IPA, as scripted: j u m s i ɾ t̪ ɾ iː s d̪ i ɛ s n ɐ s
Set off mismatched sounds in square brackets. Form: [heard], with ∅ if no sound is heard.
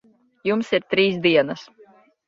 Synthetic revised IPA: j u m s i ɾ t̪ ɾ iː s d̪ i ɛ [∅] n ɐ s